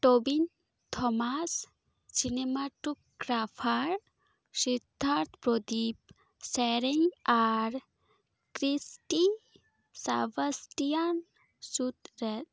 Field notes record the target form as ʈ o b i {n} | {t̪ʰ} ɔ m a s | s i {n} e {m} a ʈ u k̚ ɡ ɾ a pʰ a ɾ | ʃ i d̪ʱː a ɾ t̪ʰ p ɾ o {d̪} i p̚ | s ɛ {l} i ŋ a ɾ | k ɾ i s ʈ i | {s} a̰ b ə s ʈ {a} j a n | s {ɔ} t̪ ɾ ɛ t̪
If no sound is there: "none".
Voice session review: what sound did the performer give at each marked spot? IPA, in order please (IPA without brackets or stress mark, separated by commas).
n, t̪ʰ, n, m, d̪, ɾ, s, i, u